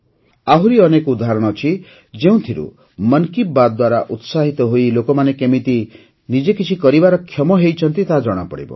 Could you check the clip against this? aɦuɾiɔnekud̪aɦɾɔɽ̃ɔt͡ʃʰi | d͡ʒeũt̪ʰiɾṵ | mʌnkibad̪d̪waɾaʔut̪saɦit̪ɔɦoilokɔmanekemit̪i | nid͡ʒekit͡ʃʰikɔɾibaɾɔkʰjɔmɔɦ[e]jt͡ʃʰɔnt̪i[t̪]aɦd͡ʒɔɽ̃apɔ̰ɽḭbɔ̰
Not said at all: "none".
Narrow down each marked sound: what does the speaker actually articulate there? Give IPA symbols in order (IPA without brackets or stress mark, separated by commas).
e, t̪